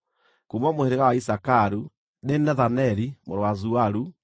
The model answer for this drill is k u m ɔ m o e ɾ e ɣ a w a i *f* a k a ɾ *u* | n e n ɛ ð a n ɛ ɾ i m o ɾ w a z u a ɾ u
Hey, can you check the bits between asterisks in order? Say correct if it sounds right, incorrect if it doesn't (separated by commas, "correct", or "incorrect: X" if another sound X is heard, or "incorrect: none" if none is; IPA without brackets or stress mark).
incorrect: s, correct